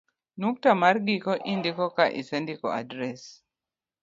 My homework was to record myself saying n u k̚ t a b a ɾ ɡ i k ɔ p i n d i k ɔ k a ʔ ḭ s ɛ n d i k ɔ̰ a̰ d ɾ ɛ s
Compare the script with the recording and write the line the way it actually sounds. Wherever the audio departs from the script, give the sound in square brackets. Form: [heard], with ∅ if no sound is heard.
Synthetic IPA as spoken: n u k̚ t a [m] a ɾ ɡ i k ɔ [ʔ] i n d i k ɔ k a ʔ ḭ s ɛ n d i k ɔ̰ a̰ d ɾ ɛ s